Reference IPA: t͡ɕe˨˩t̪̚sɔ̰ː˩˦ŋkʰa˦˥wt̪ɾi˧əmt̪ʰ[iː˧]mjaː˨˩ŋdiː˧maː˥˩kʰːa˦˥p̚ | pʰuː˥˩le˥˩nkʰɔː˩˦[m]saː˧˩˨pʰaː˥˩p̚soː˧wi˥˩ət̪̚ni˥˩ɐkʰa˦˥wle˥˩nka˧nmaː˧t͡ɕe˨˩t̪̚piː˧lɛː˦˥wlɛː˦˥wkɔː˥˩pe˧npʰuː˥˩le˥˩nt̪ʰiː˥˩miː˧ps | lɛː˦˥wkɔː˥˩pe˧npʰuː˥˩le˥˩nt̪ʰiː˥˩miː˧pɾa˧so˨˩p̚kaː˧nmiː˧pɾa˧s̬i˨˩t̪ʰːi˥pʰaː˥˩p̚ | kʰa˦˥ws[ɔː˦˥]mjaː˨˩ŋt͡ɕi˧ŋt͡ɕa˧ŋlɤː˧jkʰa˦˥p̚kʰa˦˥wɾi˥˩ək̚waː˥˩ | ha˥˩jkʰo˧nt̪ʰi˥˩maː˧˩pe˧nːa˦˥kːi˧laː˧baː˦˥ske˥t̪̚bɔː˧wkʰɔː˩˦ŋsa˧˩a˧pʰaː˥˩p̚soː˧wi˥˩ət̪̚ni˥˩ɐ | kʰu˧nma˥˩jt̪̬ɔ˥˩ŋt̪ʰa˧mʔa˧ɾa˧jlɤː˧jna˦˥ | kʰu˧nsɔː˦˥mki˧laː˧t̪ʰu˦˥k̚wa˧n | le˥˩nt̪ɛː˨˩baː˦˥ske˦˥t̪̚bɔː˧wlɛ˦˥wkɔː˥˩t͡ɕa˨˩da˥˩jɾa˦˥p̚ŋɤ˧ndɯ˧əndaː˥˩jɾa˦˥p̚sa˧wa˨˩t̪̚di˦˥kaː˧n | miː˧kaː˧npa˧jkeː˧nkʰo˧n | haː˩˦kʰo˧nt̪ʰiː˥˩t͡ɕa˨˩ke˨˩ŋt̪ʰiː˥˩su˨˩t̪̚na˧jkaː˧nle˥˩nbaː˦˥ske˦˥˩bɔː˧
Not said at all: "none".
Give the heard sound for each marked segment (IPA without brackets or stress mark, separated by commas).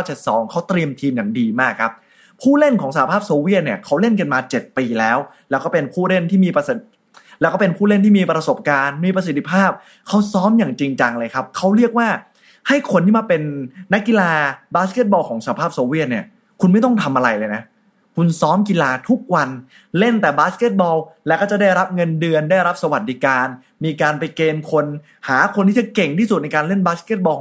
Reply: iː˧, ŋ, ɔː˦˥